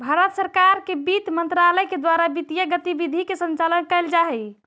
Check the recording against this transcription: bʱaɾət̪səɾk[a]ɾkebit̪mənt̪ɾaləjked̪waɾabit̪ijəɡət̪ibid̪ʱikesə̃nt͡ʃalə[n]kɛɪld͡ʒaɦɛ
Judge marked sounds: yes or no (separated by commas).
yes, yes